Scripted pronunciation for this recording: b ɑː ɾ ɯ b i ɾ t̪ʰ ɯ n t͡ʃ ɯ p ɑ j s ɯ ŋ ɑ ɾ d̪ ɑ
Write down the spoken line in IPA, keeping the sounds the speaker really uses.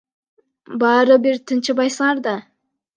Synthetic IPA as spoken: b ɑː ɾ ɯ b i ɾ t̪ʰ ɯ n t͡ʃ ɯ b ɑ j s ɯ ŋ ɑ ɾ d̪ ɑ